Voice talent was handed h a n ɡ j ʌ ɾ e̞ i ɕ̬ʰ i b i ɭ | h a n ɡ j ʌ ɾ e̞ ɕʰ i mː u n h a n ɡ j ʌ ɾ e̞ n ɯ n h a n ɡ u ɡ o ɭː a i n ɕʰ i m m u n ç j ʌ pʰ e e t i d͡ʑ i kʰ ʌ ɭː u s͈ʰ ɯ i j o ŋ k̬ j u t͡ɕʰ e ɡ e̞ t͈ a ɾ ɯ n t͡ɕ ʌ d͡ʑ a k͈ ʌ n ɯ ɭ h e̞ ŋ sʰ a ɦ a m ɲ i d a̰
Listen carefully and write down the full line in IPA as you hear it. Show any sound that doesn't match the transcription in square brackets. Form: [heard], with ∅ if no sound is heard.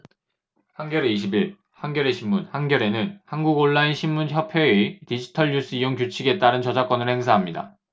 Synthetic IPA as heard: h a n ɡ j ʌ ɾ e̞ i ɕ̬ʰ i b i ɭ | h a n ɡ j ʌ ɾ e̞ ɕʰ i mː u n h a n ɡ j ʌ ɾ e̞ n ɯ n h a n ɡ u ɡ o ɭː a i n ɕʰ i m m u n ç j ʌ pʰ e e t i d͡ʑ i [tʰ] ʌ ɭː u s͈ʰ ɯ i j o ŋ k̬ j u t͡ɕʰ [i] ɡ e̞ t͈ a ɾ ɯ n t͡ɕ ʌ d͡ʑ a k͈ ʌ n ɯ ɭ h e̞ ŋ sʰ a ɦ a m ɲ i d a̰

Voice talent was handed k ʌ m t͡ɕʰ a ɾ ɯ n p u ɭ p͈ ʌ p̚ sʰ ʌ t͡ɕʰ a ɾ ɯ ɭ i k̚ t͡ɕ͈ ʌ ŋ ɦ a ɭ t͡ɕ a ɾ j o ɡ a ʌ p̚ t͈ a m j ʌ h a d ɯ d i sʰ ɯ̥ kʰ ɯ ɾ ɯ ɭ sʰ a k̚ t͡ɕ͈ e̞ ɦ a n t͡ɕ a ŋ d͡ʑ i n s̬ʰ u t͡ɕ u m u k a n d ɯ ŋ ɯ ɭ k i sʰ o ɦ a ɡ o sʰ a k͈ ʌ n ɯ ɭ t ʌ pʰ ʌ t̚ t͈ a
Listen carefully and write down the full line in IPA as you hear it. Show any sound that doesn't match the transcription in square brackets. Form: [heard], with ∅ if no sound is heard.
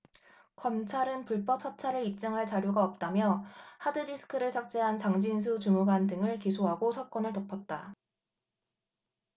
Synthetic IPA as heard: k ʌ m t͡ɕʰ a ɾ ɯ n p u ɭ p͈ ʌ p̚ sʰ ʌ t͡ɕʰ a ɾ ɯ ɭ i [p̚] t͡ɕ͈ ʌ ŋ ɦ a ɭ t͡ɕ a ɾ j o ɡ a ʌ p̚ t͈ a m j ʌ h a d ɯ d i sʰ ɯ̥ kʰ ɯ ɾ ɯ ɭ sʰ a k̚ t͡ɕ͈ e̞ ɦ a n t͡ɕ a ŋ d͡ʑ i n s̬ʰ u t͡ɕ u m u [ɡ] a n d ɯ ŋ ɯ ɭ k i sʰ o ɦ a ɡ o sʰ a k͈ ʌ n ɯ ɭ t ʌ pʰ ʌ t̚ t͈ a

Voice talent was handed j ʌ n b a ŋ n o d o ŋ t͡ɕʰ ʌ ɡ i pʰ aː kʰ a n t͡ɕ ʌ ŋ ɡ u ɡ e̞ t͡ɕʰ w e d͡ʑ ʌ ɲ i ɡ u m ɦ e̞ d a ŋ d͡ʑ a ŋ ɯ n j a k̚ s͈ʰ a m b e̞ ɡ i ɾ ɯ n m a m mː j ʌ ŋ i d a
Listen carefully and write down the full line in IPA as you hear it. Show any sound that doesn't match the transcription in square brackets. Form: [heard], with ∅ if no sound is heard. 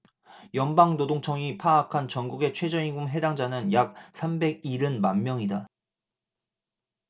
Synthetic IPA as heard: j ʌ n b a ŋ n o d o ŋ t͡ɕʰ ʌ [ŋ] i pʰ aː kʰ a n t͡ɕ ʌ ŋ ɡ u ɡ e̞ t͡ɕʰ w e d͡ʑ ʌ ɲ i ɡ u m ɦ e̞ d a ŋ d͡ʑ a [n] ɯ n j a k̚ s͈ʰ a m b e̞ ɡ i ɾ ɯ n m a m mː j ʌ ŋ i d a

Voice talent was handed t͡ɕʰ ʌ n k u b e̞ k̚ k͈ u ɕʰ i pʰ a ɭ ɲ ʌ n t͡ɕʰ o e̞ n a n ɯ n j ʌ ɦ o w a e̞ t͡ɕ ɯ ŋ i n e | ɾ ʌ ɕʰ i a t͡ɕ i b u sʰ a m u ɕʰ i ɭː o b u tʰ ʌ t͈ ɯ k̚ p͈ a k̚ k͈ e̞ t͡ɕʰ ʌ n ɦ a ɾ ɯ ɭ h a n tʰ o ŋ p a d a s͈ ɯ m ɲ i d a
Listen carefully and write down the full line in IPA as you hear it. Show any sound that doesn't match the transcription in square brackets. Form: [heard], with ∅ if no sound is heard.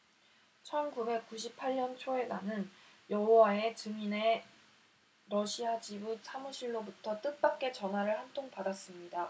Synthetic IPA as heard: t͡ɕʰ ʌ n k u b e̞ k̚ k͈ u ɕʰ i pʰ a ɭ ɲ ʌ n t͡ɕʰ o e̞ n a n ɯ n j ʌ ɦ o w a e̞ t͡ɕ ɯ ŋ i n e | ɾ ʌ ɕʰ i a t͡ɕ i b u sʰ a m u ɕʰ i ɭː o b u tʰ ʌ t͈ ɯ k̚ p͈ a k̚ k͈ e̞ [t͡ɕ] ʌ n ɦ a ɾ ɯ ɭ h a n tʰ o ŋ p a d a s͈ ɯ m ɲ i d a

